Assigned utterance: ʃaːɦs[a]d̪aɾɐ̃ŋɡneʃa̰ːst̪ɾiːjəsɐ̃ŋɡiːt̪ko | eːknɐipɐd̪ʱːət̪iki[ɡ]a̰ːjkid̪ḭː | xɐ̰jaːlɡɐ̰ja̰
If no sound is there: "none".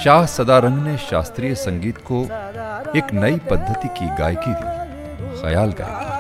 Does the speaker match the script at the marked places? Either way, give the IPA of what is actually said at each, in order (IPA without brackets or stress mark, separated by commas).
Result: ɐ, ɡ